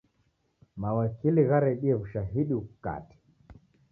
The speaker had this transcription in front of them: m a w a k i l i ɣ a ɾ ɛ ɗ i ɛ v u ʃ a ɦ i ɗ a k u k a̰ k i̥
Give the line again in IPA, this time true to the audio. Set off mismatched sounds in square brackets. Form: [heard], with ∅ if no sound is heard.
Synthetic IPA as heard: m a w a k i l i ɣ a ɾ ɛ ɗ i ɛ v u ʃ a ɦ i ɗ [i] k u k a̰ [t] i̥